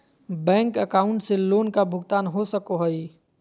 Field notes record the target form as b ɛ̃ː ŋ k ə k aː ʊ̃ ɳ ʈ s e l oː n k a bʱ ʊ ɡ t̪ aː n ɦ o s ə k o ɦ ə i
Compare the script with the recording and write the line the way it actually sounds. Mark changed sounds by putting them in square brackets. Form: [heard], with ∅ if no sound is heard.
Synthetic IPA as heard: b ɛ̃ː ŋ k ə k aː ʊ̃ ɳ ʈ s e l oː n k a bʱ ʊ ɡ t̪ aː n ɦ o s ə k o ɦ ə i